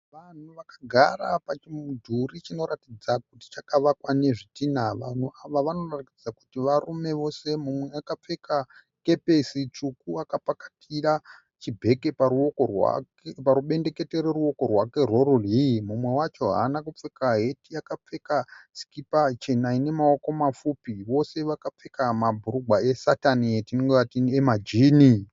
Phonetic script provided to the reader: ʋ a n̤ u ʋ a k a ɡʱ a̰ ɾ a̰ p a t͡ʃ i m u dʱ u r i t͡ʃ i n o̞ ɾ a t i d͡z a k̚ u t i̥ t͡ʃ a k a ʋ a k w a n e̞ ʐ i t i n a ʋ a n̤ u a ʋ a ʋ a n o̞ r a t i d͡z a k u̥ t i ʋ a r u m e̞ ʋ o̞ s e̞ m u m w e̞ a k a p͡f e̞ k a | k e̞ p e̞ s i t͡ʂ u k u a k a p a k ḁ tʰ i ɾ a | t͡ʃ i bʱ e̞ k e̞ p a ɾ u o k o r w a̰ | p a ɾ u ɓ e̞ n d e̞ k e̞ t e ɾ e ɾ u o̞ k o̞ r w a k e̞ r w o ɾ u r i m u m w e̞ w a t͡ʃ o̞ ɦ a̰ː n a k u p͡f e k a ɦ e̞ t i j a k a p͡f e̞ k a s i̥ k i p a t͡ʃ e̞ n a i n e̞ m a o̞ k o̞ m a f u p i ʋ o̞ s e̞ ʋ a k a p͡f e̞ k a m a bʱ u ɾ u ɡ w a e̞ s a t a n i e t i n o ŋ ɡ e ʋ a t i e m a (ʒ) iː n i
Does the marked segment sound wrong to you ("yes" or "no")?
yes